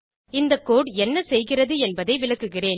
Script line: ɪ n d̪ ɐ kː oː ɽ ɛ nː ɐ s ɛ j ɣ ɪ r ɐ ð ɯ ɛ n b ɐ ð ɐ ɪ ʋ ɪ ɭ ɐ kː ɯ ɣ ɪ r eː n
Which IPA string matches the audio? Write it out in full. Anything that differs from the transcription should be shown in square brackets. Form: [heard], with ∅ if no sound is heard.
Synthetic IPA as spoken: ɪ n d̪ ɐ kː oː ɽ ɛ nː ɐ s ɛ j ɣ ɪ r ɐ ð ɯ ɛ n b ɐ ð ɐ ɪ ʋ ɪ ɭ ɐ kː ɯ ɣ ɪ r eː n